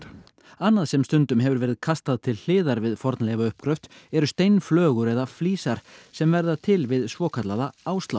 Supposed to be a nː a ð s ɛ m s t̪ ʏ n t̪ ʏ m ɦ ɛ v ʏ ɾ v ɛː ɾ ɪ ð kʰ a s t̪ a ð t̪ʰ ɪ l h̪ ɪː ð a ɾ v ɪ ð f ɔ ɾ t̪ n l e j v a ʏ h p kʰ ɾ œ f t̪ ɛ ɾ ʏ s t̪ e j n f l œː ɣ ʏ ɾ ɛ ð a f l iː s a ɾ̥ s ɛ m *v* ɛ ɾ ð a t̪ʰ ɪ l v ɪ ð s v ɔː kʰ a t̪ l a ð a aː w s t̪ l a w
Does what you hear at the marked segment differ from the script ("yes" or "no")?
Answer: no